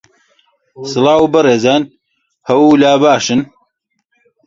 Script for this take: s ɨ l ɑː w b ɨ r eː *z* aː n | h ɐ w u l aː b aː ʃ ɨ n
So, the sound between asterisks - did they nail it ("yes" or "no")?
yes